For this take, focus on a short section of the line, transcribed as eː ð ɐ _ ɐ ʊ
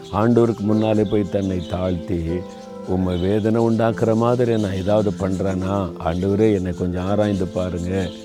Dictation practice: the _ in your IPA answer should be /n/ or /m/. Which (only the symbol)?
n